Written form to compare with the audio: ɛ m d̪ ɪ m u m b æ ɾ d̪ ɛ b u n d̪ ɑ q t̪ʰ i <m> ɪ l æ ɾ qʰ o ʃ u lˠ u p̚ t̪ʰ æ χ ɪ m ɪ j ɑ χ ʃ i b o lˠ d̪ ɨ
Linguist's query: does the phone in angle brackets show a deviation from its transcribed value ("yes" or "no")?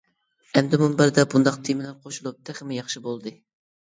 no